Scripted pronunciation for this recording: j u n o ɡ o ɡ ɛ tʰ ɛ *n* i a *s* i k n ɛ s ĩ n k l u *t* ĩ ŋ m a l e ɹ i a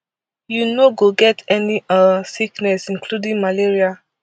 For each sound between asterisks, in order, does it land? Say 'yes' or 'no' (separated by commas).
yes, yes, no